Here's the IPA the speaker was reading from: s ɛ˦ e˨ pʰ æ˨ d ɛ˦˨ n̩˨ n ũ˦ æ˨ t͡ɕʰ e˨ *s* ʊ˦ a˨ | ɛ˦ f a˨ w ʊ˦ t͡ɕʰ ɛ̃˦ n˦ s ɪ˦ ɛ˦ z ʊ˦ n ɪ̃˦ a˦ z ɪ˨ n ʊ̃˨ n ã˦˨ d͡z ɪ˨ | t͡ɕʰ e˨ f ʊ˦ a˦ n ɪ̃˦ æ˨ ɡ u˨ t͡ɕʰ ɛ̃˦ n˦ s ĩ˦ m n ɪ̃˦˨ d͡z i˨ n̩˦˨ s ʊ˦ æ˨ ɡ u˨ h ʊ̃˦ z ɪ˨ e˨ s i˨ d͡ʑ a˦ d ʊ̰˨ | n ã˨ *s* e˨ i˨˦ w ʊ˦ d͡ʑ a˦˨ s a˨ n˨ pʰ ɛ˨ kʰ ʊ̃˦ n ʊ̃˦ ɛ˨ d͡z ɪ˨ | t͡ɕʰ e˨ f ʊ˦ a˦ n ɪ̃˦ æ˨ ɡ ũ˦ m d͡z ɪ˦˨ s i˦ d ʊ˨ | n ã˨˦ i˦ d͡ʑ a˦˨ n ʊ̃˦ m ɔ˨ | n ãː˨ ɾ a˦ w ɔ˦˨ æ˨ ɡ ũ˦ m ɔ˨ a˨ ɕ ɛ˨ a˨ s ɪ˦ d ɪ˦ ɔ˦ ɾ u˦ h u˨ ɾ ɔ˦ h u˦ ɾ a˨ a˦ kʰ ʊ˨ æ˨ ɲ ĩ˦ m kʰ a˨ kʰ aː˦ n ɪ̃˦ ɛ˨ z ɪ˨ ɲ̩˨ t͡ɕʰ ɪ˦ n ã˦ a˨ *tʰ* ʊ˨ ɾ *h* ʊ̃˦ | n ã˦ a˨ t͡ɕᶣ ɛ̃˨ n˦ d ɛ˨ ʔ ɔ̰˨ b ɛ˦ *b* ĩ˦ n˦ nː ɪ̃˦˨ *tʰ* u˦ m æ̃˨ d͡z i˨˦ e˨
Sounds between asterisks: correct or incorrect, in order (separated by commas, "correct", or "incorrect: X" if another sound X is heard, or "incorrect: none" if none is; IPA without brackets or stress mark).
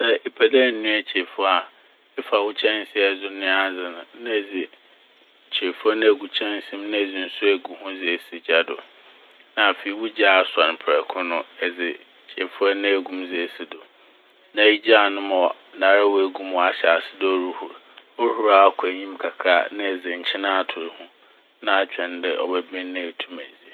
incorrect: f, incorrect: f, correct, correct, correct, correct